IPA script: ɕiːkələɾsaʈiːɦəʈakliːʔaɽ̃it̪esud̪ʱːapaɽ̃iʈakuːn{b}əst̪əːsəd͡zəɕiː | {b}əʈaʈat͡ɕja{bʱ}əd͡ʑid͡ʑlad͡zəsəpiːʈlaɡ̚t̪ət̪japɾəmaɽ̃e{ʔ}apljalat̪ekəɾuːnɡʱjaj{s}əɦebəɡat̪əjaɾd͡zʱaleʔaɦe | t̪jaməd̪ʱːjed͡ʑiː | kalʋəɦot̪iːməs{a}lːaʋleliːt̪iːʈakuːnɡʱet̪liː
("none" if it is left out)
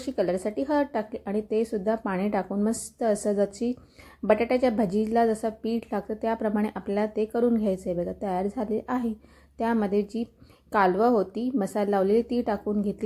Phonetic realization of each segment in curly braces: m, b, bʱ, ʔ, t͡s, a

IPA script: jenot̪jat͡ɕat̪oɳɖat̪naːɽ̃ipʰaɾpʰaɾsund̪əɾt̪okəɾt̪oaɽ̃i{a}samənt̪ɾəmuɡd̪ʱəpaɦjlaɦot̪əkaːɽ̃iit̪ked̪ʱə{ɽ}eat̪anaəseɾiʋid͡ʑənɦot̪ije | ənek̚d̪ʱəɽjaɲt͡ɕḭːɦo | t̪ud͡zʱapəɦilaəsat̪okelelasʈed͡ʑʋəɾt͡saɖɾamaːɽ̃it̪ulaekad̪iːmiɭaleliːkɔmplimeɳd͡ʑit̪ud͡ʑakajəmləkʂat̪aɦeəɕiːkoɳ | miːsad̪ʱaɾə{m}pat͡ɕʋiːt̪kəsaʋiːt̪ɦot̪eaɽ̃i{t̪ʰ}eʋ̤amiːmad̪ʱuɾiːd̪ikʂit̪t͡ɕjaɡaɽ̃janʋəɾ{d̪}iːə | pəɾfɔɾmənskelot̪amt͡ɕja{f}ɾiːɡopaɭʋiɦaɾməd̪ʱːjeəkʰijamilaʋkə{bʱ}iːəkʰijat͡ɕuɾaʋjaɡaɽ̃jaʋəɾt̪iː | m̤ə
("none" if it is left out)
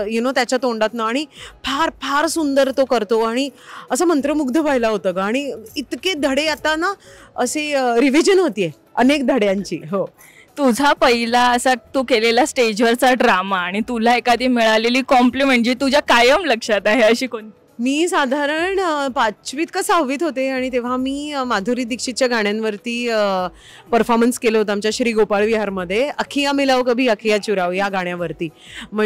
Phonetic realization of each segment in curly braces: ə, ɽ, ɳ, t̪, t̪, ɕ, bʱ

